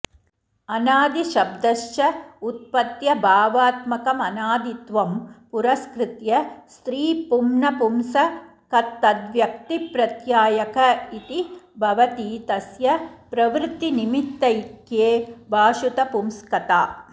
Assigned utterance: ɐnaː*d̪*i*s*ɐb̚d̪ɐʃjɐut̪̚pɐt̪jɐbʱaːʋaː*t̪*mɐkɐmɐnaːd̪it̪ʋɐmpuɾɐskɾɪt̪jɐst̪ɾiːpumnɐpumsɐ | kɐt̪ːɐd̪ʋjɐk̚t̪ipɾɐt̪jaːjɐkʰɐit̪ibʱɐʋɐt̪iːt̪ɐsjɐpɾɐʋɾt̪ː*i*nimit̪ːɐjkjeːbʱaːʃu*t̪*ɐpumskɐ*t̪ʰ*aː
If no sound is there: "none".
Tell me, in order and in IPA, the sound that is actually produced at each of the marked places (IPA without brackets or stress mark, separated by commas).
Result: d̪, ʃ, t̪, i, t̪, t̪